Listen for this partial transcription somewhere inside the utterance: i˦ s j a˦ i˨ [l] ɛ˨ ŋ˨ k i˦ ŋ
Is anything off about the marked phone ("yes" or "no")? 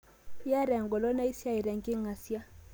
yes